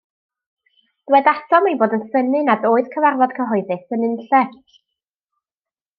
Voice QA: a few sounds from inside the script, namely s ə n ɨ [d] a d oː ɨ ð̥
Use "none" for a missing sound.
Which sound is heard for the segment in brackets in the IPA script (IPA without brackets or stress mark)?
n